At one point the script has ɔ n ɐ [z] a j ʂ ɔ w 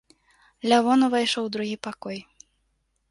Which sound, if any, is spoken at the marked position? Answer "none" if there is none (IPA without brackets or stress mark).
v